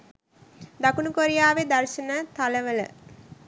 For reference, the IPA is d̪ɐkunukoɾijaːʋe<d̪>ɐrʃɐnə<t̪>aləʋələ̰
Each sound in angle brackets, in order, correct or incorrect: correct, correct

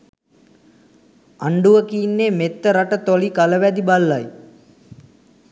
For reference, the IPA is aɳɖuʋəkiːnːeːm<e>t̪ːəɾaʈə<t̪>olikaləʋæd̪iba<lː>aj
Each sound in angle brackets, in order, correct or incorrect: correct, correct, correct

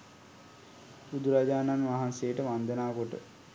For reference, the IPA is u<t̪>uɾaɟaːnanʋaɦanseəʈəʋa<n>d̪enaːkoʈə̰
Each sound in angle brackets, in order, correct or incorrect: incorrect: d̪, correct

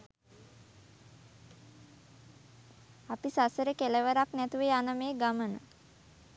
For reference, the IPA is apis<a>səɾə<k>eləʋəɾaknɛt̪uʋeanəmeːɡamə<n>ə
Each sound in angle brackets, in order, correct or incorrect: correct, correct, correct

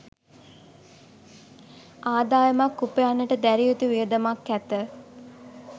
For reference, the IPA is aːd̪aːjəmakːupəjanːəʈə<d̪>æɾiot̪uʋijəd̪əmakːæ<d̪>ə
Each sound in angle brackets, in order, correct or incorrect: correct, incorrect: t̪

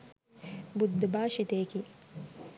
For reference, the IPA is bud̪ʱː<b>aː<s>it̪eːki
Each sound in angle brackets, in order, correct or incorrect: correct, incorrect: ʃ

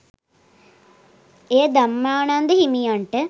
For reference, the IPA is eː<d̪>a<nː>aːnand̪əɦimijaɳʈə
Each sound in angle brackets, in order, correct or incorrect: correct, incorrect: mː

